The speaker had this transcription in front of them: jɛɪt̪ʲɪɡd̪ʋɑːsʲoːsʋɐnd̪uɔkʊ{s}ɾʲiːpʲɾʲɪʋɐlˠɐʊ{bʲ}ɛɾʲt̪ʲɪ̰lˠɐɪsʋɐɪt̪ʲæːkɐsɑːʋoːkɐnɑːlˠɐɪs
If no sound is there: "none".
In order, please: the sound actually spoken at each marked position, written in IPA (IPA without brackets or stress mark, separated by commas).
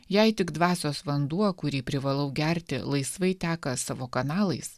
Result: none, ɡʲ